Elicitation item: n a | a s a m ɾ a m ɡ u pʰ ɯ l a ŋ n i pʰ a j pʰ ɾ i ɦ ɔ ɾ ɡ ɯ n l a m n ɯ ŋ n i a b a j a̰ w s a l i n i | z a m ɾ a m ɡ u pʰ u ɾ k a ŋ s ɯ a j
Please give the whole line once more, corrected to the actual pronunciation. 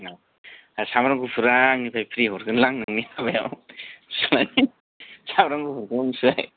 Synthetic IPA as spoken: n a | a s a m ɾ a ŋ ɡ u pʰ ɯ ɾ a ŋ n i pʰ a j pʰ ɾ i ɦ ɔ ɾ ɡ ɯ n l a ŋ n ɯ ŋ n i a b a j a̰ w s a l a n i | s a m ɾ a ŋ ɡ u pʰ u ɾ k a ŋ s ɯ a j